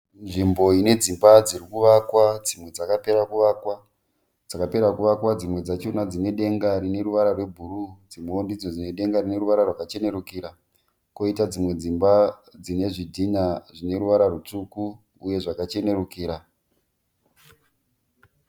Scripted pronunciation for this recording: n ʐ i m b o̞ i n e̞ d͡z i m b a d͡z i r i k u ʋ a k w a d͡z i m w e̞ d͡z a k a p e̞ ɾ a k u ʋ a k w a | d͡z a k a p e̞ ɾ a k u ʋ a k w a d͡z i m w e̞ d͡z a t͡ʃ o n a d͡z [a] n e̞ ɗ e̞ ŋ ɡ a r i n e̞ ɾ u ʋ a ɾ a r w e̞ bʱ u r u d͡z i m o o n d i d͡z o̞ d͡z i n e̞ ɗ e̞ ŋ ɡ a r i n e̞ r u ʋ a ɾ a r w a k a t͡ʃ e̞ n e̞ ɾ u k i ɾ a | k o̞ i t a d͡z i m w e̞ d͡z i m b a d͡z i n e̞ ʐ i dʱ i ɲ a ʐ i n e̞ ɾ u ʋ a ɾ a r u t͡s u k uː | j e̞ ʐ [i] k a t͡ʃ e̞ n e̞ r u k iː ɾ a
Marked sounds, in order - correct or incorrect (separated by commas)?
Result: incorrect, incorrect